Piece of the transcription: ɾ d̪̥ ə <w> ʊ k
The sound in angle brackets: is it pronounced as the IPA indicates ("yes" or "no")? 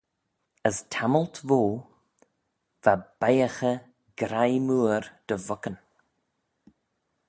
no